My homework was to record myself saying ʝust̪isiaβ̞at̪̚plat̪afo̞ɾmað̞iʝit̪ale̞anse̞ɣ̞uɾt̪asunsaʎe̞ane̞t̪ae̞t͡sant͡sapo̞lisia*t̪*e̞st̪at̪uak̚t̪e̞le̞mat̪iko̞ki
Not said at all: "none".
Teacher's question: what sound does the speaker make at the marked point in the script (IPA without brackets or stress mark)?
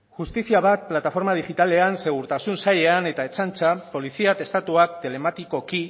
t̪